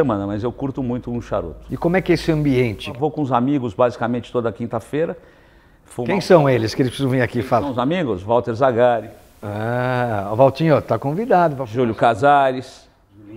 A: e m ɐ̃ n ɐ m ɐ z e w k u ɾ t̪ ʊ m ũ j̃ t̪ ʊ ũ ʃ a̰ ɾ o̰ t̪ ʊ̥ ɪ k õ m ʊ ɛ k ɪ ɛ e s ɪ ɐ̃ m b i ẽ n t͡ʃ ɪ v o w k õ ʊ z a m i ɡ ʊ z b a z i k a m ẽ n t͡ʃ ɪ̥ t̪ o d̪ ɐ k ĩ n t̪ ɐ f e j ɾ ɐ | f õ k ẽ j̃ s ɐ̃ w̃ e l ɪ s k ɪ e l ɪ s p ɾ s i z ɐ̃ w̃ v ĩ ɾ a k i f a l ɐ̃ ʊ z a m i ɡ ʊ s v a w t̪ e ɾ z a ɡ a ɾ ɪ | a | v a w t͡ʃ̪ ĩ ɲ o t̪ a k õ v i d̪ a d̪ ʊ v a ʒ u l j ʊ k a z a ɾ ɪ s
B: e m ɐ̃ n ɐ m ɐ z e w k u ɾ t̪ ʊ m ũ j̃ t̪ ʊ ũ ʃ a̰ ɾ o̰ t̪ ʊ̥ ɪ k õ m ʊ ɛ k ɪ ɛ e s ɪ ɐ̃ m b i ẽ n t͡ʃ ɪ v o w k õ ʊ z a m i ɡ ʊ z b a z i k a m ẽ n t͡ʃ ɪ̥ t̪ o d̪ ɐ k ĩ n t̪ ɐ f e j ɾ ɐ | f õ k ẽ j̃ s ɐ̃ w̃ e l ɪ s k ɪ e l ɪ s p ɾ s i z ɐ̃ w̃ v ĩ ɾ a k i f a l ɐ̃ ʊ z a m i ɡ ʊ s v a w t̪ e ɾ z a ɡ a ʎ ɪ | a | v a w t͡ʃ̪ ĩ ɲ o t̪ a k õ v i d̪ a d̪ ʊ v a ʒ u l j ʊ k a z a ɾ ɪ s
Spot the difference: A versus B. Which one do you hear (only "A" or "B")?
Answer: A